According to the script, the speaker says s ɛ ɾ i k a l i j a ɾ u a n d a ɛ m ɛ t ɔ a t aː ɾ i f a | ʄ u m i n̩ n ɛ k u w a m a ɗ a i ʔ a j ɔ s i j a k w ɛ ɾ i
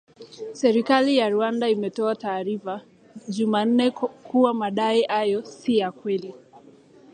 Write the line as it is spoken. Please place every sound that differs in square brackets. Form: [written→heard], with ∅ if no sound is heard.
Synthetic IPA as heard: s ɛ ɾ i k a l i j a ɾ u a n d a [ɛ→i] m ɛ t ɔ a t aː ɾ i f a | ʄ u m [i→a] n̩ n ɛ k u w a m a ɗ a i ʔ a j ɔ s i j a k w ɛ [ɾ→l] i